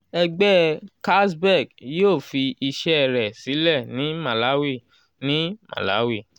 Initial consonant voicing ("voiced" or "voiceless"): voiced